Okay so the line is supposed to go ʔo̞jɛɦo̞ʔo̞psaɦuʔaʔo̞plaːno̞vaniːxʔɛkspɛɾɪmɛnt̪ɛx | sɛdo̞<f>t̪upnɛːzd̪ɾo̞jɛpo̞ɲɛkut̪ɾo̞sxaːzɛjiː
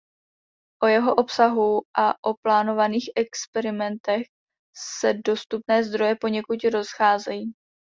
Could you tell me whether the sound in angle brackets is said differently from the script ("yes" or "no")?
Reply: yes